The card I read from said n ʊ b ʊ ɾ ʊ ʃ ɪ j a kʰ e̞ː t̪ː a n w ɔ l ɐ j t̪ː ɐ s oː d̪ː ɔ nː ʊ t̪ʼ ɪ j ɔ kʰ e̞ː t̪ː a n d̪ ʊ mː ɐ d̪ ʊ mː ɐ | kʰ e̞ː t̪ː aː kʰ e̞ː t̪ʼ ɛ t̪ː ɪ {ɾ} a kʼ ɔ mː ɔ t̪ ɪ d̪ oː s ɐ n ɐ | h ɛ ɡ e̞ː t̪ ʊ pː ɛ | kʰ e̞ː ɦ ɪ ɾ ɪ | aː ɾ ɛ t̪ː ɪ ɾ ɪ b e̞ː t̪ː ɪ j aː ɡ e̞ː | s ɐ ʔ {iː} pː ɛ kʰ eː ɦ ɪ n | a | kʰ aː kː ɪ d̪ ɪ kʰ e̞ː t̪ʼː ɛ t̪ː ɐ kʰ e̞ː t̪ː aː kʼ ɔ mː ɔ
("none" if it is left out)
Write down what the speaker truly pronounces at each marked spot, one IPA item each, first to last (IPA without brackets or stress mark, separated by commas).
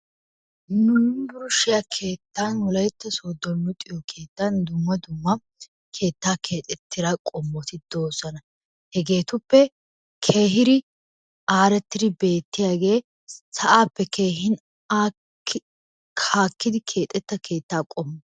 ɾ, aː